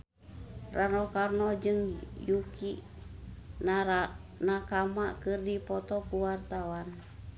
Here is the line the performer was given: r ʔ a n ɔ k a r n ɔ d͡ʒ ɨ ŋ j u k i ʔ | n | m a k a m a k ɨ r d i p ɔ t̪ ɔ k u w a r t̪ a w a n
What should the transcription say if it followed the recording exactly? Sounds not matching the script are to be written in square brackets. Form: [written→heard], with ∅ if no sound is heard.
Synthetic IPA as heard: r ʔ a n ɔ k a r n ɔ d͡ʒ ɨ ŋ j u k i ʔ | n | [m→n] a k a m a k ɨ r d i p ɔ t̪ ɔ k u w a r t̪ a w a n